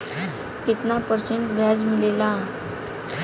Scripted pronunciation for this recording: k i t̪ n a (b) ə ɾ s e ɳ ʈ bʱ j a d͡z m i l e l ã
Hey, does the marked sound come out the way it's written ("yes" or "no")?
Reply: no